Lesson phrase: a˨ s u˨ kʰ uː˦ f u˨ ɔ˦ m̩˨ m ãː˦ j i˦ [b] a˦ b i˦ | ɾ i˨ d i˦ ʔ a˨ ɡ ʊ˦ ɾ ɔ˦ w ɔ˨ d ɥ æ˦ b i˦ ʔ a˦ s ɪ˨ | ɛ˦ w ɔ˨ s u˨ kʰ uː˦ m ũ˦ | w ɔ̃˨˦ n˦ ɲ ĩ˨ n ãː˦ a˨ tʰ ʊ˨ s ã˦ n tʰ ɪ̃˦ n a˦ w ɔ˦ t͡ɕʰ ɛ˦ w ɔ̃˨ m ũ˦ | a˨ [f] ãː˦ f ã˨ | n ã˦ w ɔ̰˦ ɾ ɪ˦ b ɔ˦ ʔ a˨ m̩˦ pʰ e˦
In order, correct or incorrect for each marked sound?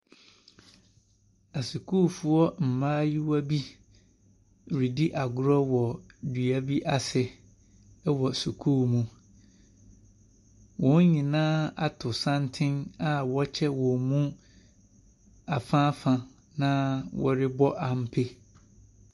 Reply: incorrect: w, correct

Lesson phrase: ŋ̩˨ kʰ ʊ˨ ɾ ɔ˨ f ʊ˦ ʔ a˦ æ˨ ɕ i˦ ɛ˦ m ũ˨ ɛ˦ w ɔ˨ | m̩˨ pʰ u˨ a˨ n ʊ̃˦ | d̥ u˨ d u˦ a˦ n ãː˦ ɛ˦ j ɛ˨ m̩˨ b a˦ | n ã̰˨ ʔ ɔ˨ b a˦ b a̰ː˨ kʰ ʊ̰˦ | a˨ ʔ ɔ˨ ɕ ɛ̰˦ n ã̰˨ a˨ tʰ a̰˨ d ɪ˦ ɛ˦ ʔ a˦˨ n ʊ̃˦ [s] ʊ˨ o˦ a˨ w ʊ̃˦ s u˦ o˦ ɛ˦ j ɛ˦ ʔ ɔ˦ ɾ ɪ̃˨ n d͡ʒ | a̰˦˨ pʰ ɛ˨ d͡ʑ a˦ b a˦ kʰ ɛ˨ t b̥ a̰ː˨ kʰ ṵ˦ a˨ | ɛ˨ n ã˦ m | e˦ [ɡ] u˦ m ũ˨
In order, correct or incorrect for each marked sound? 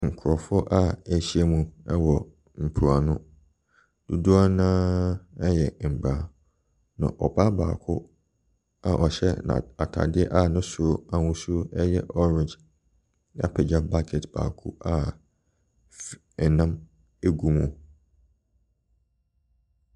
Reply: correct, correct

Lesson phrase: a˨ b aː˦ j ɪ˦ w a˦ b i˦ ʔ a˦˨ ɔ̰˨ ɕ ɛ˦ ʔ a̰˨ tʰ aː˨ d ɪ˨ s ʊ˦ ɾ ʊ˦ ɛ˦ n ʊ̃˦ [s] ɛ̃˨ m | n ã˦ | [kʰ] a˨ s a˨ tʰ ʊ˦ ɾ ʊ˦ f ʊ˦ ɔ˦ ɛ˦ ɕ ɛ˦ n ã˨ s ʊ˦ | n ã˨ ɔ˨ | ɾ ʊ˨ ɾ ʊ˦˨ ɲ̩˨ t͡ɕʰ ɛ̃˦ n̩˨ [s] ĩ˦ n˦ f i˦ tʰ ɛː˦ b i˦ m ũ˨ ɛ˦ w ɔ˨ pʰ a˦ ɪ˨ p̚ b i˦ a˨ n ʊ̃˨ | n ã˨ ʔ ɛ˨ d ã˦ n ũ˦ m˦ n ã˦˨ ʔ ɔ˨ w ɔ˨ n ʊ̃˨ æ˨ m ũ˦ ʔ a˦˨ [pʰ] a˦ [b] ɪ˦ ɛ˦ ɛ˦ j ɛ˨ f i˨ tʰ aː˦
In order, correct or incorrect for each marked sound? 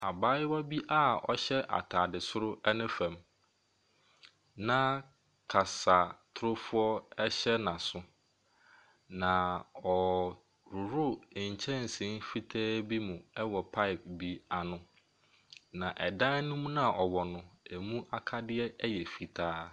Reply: incorrect: f, correct, correct, incorrect: kʰ, incorrect: d

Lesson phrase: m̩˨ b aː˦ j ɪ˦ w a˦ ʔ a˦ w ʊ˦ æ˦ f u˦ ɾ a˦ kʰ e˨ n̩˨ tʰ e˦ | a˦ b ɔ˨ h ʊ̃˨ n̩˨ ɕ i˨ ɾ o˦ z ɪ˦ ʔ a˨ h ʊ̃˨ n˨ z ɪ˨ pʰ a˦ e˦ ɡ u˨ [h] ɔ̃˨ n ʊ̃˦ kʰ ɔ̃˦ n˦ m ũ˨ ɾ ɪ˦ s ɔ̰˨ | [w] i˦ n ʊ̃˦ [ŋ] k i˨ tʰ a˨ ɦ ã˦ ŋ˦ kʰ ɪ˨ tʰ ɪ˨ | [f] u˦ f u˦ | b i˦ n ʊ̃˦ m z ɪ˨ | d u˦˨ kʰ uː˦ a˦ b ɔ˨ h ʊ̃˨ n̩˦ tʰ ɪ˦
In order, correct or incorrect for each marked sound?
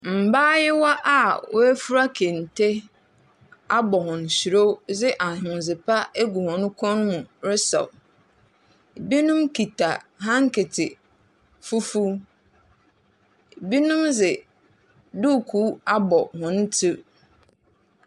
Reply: correct, incorrect: b, incorrect: m, correct

